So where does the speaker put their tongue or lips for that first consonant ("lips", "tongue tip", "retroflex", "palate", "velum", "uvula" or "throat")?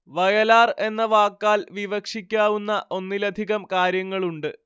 lips